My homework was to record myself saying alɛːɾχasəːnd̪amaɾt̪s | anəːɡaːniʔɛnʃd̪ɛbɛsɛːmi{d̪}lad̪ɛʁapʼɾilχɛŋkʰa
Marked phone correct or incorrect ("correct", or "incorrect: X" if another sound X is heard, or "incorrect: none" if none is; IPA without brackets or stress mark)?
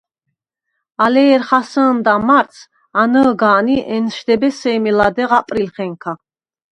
incorrect: none